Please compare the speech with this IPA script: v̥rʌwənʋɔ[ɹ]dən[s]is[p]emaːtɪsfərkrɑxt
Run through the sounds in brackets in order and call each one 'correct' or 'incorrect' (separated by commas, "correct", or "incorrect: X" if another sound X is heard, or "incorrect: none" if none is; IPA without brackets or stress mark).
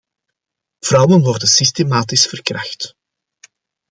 incorrect: r, correct, incorrect: t